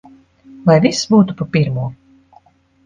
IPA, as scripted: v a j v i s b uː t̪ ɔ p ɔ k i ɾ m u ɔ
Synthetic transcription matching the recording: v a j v i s b uː t̪ u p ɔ p i ɾ m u ɔ

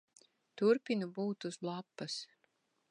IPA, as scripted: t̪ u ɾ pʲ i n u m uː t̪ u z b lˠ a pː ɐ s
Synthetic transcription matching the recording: t̪ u ɾ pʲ i n u b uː t̪ u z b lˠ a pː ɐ s

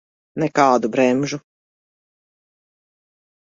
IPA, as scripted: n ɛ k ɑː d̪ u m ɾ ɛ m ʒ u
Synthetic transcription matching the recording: n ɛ k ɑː d̪ u b ɾ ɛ m ʒ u

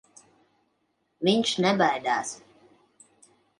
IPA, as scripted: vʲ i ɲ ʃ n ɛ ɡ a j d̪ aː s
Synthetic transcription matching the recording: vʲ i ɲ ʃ n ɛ b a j d̪ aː s

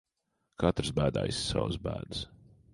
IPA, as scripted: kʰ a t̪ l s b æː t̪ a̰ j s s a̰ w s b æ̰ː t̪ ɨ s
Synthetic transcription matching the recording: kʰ a t̪ ɾ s b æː d̪ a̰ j s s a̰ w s b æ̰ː d̪ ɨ s

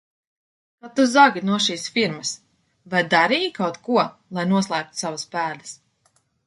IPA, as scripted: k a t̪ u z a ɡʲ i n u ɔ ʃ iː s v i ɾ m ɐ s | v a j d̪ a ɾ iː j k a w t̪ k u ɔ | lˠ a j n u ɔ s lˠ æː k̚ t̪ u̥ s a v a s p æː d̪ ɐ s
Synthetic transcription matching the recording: k a t̪ u z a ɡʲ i n u ɔ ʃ iː s f i ɾ m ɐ s | v a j d̪ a ɾ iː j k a w t̪ k u ɔ | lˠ a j n u ɔ s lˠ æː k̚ t̪ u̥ s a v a s p æː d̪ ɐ s

